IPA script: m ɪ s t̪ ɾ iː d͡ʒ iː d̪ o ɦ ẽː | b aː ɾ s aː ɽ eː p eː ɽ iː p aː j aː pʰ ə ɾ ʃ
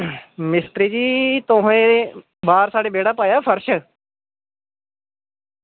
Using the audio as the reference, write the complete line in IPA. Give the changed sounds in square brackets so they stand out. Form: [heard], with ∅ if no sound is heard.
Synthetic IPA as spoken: m ɪ s t̪ ɾ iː d͡ʒ iː [t̪] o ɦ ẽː | b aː ɾ s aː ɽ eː [b] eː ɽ [aː] p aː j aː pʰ ə ɾ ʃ